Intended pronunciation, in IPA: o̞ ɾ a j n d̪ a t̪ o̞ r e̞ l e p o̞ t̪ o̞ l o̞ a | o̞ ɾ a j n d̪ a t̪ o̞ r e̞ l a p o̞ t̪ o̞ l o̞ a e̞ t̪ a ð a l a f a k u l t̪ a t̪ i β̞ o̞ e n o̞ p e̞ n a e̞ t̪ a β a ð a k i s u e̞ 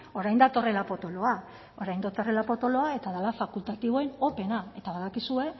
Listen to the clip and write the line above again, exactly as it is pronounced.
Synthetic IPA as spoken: o̞ ɾ a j n d̪ a t̪ o̞ r e̞ l a p o̞ t̪ o̞ l o̞ a | o̞ ɾ a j n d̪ a t̪ o̞ r e̞ l a p o̞ t̪ o̞ l o̞ a e̞ t̪ a ð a l a f a k u l t̪ a t̪ i β̞ o̞ e n o̞ p e̞ n a e̞ t̪ a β a ð a k i s u e̞